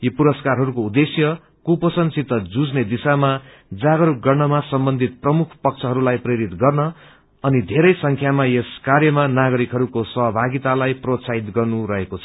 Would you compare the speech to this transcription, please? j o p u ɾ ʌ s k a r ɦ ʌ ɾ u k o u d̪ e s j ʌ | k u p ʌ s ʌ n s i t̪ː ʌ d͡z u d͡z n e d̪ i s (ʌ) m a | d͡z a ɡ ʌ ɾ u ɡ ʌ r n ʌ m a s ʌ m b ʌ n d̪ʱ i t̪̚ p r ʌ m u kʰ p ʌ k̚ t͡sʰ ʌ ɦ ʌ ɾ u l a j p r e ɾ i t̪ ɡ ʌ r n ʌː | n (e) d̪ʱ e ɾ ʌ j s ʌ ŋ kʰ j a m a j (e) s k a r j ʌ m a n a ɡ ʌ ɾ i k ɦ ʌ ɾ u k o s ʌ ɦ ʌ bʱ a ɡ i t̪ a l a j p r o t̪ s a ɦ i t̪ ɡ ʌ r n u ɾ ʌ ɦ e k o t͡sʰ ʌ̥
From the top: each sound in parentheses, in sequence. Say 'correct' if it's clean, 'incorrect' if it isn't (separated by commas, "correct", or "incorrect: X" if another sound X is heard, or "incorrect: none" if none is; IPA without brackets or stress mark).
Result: incorrect: a, incorrect: i, correct